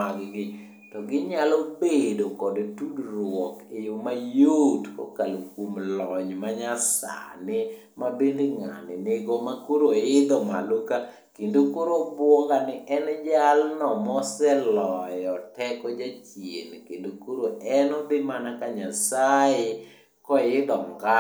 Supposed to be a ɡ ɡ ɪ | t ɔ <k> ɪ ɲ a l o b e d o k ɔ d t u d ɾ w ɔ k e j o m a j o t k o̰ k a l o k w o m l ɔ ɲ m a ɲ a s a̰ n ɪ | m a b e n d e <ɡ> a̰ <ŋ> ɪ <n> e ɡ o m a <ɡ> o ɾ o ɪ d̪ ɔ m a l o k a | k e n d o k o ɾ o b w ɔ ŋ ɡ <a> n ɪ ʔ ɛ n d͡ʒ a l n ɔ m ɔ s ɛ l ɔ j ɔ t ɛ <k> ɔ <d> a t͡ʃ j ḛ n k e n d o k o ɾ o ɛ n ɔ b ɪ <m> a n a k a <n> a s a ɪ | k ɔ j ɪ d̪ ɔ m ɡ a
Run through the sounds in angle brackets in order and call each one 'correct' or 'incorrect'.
incorrect: ɡ, incorrect: ŋ, incorrect: n, correct, incorrect: k, correct, correct, incorrect: d͡ʒ, correct, incorrect: ɲ

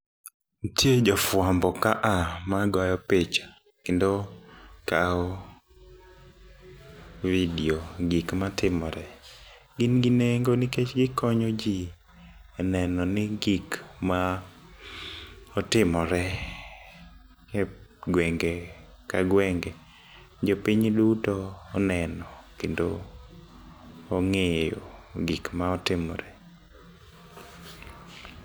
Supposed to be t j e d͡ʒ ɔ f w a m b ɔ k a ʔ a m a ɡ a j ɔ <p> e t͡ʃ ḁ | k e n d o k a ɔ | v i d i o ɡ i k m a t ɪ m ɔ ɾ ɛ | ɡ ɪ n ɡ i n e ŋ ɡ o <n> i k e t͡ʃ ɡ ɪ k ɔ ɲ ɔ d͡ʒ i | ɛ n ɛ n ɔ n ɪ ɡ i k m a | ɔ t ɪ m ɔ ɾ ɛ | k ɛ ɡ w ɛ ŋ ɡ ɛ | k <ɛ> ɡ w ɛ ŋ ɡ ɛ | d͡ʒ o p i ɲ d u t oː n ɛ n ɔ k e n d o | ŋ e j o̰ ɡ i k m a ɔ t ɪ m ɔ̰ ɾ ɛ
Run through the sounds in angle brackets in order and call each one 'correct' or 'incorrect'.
correct, correct, incorrect: a

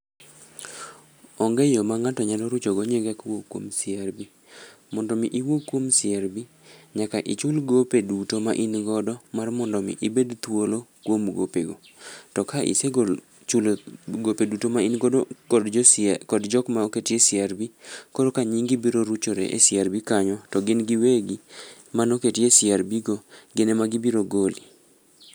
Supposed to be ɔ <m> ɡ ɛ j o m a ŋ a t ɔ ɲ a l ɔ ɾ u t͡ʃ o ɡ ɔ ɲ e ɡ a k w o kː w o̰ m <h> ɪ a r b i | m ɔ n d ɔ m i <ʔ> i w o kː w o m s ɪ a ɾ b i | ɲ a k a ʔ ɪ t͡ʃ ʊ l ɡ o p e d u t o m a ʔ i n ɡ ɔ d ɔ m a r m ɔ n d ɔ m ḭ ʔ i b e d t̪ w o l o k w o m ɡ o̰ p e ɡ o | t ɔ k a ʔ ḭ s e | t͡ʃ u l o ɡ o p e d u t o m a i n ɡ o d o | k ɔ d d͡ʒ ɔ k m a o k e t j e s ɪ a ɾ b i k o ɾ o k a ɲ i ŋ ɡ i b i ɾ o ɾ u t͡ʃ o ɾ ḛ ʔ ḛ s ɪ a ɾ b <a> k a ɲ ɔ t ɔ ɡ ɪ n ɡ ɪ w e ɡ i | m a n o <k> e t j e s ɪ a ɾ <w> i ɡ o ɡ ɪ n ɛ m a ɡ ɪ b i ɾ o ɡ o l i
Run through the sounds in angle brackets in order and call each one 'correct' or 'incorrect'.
incorrect: ŋ, incorrect: s, correct, incorrect: i, correct, incorrect: b

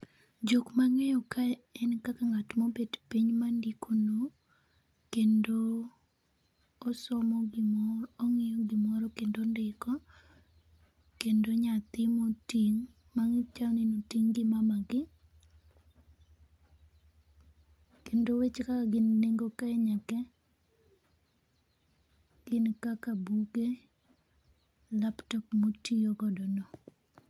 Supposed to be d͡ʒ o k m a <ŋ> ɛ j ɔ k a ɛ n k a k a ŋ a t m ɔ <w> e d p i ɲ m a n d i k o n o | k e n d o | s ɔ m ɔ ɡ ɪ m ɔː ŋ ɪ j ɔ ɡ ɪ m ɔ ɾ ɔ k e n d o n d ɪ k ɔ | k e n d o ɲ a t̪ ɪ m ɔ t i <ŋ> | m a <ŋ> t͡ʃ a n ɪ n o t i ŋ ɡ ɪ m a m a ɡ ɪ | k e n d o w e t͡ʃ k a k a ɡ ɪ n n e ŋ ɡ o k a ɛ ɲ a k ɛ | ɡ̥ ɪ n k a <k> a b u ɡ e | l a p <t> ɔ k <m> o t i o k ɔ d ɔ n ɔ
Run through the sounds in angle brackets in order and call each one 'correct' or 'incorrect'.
correct, incorrect: b, correct, correct, correct, correct, correct

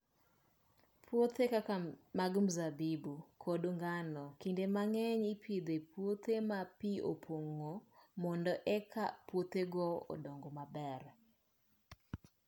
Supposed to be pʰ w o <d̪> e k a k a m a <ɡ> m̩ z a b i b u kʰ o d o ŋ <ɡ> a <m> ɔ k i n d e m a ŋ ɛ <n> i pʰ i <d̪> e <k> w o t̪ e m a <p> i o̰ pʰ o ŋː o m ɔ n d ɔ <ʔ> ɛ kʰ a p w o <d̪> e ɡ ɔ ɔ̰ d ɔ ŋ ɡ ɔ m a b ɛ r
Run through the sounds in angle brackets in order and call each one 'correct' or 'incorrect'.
incorrect: t̪, correct, correct, incorrect: n, incorrect: ɲ, correct, incorrect: p, correct, correct, incorrect: t̪

